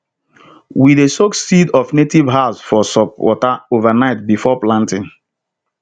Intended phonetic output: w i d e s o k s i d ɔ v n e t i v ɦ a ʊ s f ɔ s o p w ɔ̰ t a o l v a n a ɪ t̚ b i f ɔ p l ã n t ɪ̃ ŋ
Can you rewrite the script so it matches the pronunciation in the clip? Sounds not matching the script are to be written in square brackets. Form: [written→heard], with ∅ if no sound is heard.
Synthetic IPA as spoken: w i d e s o k s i d ɔ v n e t i v ɦ a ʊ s f ɔ s [o→ɔ] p w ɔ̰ t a o [l→∅] v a n a ɪ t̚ b i f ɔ p l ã n t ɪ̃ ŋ

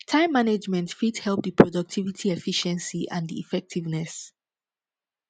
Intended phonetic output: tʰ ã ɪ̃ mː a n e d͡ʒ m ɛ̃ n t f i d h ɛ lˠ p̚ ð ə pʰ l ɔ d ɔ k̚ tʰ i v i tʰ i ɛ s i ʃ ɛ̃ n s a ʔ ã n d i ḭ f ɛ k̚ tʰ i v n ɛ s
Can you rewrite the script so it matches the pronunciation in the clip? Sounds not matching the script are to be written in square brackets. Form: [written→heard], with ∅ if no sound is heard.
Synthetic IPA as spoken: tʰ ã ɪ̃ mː a n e d͡ʒ m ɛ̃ n t f i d h ɛ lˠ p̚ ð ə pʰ [l→ɹ] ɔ d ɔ k̚ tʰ i v i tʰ i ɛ [s→f] i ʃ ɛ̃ n s [a→i] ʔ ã n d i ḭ f ɛ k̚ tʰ i v n ɛ s

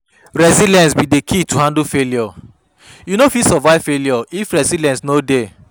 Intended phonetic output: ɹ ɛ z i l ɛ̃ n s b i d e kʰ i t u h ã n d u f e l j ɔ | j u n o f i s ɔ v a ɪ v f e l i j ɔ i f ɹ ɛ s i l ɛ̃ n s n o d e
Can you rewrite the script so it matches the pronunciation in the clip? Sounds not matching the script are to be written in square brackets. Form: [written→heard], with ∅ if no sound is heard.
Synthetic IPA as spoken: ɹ ɛ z i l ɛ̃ n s b i d e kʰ i t u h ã n d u f e l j ɔ | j u n o f i s ɔ v a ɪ v f e l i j ɔ i f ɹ ɛ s i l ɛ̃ n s n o d e

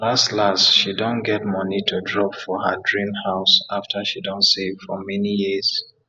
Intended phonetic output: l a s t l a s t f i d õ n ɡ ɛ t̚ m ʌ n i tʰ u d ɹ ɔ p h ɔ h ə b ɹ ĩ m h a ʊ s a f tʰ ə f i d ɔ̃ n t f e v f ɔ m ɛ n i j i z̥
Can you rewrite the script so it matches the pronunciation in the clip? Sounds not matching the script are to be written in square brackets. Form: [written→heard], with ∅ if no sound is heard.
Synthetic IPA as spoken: l a s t l a s t [f→ʃ] i d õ n ɡ ɛ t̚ m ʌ n i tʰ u d ɹ ɔ p [h→f] ɔ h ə [b→d] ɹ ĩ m h a ʊ s a f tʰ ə [f→ʃ] i d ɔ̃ n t [f→s] e v f ɔ m ɛ n i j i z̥

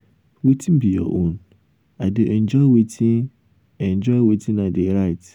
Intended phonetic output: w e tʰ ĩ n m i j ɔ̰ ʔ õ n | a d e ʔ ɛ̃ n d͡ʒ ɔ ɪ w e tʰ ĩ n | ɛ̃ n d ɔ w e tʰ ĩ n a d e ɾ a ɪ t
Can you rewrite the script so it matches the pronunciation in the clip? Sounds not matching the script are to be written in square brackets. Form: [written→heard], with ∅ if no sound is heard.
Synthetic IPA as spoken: w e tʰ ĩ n [m→b] i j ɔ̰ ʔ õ n | a d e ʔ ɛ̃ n d͡ʒ ɔ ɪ w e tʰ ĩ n | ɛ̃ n [d→d͡ʒ] ɔ w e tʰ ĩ n a d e ɾ a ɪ t

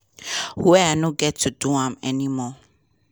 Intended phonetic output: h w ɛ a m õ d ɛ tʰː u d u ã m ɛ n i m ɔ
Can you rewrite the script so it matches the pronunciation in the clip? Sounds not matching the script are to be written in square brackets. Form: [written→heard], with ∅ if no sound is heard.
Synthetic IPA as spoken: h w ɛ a [m→n] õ [d→ɡ] ɛ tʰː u d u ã m ɛ n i m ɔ

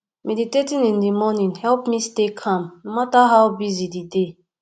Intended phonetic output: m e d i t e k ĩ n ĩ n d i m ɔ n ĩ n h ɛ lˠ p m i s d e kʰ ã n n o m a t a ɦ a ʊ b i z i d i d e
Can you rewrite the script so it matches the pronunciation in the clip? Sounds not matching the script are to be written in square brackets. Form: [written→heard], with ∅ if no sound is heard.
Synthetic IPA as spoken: m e d i t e [k→t] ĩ n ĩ n d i m ɔ n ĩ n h ɛ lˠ p m i s [d→t] e kʰ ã [n→m] n o m a t a ɦ a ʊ b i z i d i d e

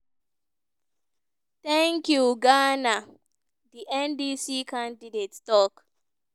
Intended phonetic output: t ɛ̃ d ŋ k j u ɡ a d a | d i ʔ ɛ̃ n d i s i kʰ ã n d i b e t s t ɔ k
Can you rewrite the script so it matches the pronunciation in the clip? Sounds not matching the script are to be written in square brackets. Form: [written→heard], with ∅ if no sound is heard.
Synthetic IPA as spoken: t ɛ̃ [d→∅] ŋ k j u ɡ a [d→n] a | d i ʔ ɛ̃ n d i s i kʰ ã n d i [b→d] e t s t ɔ k

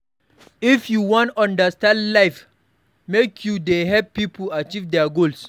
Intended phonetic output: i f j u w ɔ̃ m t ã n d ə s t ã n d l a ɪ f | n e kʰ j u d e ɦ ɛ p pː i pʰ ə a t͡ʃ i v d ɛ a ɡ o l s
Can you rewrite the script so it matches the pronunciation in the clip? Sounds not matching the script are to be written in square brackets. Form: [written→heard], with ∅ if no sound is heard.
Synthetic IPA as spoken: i f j u w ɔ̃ [m→n] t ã n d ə s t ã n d l a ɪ f | [n→m] e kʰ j u d e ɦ ɛ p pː i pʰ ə a t͡ʃ i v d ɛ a ɡ o l s

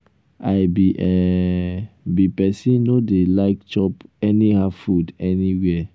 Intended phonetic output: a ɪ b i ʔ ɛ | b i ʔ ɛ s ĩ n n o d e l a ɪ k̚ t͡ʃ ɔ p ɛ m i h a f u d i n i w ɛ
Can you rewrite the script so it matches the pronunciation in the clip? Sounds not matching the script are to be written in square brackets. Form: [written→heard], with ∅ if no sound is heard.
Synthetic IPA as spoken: a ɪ b i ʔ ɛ | b i [ʔ→p] ɛ s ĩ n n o d e l a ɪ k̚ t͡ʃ ɔ p ɛ [m→n] i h a f u d [i→ɛ] n i w ɛ

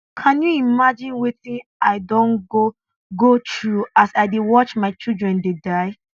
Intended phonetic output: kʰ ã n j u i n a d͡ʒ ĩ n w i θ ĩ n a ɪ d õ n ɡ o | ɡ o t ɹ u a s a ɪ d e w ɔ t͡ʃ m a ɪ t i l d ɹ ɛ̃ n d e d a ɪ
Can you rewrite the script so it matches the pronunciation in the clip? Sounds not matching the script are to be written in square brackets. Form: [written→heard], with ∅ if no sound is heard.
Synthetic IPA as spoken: kʰ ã n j u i [n→m] a d͡ʒ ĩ n w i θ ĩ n a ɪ d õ n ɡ o | ɡ o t ɹ u a s a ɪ d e w ɔ t͡ʃ m a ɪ [t→t͡ʃ] i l d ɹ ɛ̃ n d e d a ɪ

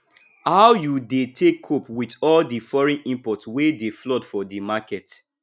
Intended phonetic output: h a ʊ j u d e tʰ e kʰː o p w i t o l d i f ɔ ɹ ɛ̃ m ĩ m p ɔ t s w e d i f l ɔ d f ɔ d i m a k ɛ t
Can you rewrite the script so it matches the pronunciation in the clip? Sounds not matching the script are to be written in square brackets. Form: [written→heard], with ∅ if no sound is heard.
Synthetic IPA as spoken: h a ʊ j u d e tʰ e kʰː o p w i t [o→ɔ] l d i f ɔ ɹ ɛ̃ [m→n] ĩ m p ɔ t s w e d [i→e] f l ɔ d f ɔ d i m a k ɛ t

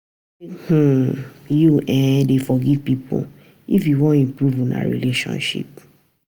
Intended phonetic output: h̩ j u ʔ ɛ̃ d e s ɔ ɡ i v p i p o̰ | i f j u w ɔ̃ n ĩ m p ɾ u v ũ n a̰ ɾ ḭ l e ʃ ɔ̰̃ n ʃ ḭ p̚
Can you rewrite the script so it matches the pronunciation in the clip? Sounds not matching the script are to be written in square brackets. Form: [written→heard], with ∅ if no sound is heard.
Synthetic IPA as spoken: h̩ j u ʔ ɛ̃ d e [s→f] ɔ ɡ i v p i p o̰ | i f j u w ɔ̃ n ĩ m p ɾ u v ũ n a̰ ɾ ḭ l e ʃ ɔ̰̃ n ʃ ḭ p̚

